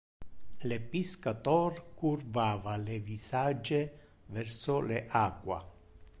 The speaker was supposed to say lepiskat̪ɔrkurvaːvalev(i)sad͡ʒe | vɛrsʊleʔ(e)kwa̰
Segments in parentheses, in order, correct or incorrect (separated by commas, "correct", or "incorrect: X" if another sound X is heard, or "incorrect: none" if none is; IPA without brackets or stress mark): correct, incorrect: a